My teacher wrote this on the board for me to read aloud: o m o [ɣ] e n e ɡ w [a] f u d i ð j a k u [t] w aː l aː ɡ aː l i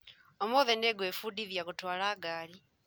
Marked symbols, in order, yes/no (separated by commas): no, no, yes